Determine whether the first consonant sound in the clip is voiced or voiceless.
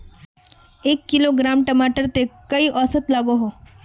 voiceless